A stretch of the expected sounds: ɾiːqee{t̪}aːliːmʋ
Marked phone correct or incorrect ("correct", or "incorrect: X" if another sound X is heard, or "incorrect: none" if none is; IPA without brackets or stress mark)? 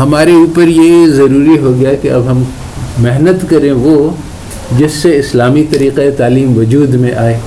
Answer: correct